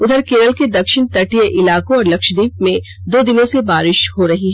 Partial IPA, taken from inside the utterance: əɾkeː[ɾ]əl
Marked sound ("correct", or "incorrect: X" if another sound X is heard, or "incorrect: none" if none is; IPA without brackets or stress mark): correct